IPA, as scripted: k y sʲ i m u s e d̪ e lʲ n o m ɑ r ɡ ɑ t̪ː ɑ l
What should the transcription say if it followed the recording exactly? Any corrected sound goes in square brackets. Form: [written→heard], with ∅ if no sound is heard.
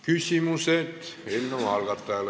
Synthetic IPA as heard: k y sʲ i m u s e [d̪→t̪] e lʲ n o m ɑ [r→l] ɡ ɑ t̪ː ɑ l